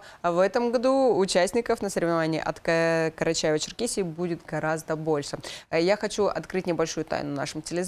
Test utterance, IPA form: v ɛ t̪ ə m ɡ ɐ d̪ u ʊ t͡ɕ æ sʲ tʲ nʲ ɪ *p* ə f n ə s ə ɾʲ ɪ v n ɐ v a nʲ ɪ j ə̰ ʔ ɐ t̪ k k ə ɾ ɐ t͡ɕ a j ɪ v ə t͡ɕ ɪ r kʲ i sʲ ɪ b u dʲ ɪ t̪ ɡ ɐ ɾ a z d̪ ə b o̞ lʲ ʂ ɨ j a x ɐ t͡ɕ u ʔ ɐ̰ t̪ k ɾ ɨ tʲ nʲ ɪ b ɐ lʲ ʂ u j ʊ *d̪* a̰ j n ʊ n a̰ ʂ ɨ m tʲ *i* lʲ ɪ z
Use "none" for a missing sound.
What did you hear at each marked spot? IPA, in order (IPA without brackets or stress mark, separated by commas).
k, t̪, ɪ